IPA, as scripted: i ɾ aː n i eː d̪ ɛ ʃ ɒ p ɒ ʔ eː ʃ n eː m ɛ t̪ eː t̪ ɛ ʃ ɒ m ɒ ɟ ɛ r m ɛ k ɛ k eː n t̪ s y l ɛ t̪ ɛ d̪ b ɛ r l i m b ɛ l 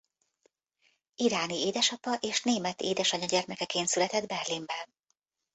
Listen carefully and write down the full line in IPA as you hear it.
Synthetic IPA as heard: i ɾ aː n i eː d̪ ɛ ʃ ɒ p ɒ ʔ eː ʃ n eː m ɛ t̪ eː d̪ ɛ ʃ ɒ ɲ ɒ ɟ ɛ r m ɛ k ɛ k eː n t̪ s y l ɛ t̪ ɛ d̪ b ɛ r l i m b ɛ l